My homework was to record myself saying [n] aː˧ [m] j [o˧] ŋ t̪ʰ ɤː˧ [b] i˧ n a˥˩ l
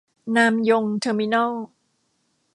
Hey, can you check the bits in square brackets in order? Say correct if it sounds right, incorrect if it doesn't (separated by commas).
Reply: correct, correct, correct, incorrect